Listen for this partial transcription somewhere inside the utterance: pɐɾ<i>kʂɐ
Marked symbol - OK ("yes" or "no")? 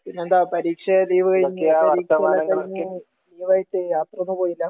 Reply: no